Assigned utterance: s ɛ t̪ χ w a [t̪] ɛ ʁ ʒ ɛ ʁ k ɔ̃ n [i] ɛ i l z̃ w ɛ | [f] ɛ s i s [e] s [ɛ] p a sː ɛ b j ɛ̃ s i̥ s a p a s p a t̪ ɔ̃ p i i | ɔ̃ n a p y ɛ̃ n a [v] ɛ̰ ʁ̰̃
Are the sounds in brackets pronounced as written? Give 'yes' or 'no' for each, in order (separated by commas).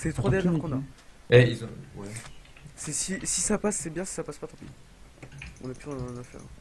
no, no, no, no, no, no